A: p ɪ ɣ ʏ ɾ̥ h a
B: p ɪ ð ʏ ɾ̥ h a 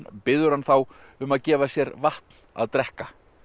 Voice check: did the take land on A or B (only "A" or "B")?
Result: B